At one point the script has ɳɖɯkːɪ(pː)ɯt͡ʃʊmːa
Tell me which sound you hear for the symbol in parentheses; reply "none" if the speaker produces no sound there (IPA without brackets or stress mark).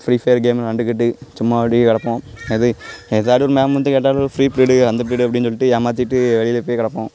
ʈː